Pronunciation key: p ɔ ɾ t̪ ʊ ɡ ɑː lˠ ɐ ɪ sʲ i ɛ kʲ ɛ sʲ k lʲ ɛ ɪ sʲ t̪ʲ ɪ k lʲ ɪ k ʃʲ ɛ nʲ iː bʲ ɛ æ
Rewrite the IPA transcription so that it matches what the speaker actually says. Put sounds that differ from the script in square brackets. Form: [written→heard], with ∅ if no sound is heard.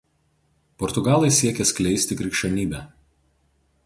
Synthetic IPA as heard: p ɔ ɾ t̪ ʊ ɡ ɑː lˠ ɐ ɪ sʲ i ɛ kʲ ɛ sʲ k lʲ ɛ ɪ sʲ t̪ʲ ɪ k [lʲ→ɾʲ] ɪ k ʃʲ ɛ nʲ iː bʲ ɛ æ